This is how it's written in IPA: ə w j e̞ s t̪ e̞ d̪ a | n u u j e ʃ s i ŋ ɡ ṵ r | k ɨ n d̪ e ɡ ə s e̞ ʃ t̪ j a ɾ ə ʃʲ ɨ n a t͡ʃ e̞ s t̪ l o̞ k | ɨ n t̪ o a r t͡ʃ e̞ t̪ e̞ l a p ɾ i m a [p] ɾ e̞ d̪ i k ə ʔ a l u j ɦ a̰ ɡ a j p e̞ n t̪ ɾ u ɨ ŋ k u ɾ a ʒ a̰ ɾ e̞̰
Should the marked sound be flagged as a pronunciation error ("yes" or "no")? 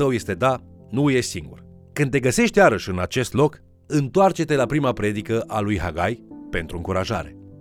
no